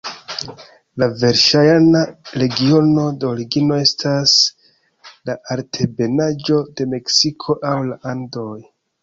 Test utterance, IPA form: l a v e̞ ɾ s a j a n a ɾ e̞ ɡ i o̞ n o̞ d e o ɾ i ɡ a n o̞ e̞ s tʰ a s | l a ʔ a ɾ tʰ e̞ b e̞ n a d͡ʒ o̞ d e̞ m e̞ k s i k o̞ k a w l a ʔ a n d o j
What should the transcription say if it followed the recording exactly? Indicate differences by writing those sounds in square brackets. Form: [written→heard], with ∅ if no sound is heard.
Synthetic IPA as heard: l a v e̞ ɾ [s→ʃ] a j a n a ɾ e̞ ɡ i o̞ n o̞ d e o ɾ i ɡ [a→i] n o̞ e̞ s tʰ a s | l a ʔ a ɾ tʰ e̞ b e̞ n a d͡ʒ o̞ d e̞ m e̞ k s i [k→kʰ] o̞ [k→ʔ] a w l a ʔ a n d o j